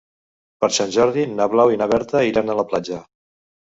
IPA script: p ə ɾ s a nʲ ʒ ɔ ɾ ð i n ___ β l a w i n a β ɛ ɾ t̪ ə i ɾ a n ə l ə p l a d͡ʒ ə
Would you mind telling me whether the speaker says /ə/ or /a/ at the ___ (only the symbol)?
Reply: a